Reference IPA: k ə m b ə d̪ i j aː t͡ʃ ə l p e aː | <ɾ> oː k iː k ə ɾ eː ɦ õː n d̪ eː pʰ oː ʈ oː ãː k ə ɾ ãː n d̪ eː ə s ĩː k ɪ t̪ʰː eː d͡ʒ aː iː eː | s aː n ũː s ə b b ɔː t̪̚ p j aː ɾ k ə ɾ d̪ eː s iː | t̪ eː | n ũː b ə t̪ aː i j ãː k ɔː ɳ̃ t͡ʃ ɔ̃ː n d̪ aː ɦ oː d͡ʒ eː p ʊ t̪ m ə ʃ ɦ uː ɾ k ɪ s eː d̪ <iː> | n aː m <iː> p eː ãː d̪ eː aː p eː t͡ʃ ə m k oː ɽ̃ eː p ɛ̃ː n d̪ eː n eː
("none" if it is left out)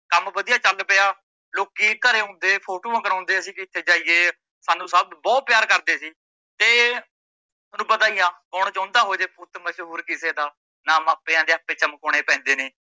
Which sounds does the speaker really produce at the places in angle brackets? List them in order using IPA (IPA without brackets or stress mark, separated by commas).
l, aː, aː